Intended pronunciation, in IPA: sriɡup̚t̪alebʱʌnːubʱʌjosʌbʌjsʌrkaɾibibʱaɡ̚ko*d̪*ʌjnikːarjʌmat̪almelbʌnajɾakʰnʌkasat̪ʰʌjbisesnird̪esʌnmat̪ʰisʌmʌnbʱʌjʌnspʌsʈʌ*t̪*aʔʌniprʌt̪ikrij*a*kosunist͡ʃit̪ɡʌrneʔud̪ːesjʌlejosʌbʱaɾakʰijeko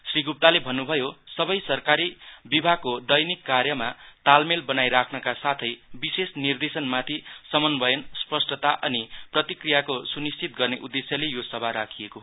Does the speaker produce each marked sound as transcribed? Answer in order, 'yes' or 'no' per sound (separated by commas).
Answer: yes, yes, yes